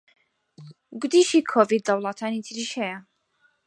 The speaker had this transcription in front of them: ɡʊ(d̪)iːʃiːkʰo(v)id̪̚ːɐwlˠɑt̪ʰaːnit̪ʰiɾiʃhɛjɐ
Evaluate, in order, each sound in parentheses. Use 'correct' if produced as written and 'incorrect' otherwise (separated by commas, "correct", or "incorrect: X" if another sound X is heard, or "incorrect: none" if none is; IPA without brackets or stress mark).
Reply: correct, correct